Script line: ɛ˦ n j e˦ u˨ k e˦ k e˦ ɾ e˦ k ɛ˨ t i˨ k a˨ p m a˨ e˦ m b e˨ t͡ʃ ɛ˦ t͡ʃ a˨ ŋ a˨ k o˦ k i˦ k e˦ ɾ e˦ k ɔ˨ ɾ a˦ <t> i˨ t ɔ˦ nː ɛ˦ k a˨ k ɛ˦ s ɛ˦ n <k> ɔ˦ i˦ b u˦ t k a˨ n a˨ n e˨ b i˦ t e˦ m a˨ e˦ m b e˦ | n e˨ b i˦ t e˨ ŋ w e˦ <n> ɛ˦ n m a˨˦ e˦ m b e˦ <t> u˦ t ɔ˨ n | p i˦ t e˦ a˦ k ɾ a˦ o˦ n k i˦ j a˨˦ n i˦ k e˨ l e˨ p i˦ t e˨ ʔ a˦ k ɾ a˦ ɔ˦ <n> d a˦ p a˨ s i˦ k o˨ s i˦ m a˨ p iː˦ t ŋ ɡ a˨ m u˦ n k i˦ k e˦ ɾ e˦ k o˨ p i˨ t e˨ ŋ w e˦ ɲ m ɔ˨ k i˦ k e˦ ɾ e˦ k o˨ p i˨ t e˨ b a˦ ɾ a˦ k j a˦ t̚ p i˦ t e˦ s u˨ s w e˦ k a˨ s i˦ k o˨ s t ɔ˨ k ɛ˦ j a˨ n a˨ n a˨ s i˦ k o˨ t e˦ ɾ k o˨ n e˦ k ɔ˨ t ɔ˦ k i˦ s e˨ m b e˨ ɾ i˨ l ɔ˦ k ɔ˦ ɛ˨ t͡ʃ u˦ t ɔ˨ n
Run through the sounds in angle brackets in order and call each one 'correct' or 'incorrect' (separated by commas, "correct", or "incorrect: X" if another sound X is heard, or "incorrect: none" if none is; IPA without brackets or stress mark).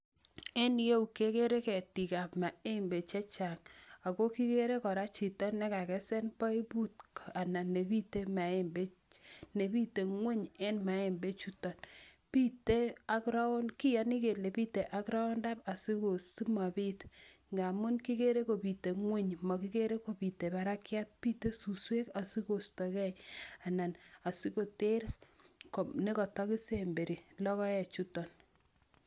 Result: incorrect: t͡ʃ, incorrect: p, incorrect: ɲ, incorrect: t͡ʃ, correct